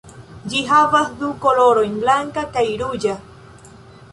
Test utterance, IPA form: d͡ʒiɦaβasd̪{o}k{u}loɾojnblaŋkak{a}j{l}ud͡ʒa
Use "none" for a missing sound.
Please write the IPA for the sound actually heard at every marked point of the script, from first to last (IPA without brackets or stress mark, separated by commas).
u, o, a, ɾ